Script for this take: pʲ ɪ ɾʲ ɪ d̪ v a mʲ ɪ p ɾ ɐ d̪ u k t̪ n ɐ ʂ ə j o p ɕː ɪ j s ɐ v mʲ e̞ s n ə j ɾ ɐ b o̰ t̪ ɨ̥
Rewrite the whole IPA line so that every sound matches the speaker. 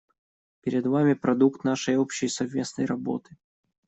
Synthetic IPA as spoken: pʲ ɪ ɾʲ ɪ d̪ v a mʲ ɪ p ɾ ɐ d̪ u k t̪ n a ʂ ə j o p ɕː ɪ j s ɐ v mʲ e̞ s n ə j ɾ ɐ b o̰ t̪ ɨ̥